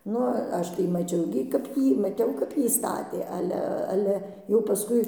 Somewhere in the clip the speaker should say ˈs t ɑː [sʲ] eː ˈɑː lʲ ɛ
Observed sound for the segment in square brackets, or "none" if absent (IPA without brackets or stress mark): tʲ